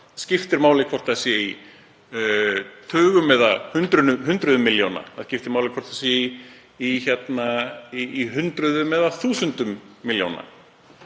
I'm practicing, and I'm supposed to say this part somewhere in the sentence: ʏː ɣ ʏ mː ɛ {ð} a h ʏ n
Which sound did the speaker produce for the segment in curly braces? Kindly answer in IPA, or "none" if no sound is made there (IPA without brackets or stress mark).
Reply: ð